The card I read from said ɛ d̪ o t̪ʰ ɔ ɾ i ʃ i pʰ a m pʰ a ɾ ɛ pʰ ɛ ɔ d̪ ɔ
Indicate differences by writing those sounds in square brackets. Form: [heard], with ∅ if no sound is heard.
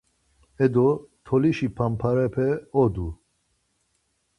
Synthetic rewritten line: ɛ d̪ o t̪ʰ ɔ [l] i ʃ i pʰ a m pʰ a ɾ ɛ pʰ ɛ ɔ d̪ [u]